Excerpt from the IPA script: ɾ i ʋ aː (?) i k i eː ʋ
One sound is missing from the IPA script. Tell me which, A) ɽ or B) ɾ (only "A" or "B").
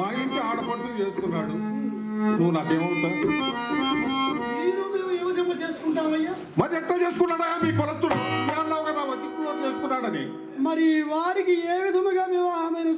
B